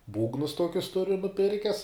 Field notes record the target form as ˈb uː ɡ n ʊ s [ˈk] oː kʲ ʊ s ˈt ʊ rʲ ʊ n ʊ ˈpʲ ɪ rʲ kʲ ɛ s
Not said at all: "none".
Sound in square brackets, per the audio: t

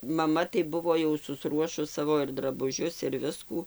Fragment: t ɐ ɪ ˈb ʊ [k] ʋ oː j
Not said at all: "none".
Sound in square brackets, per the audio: none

